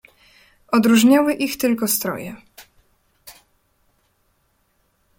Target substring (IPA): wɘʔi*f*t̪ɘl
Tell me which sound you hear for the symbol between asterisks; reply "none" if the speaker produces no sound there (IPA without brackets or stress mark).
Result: x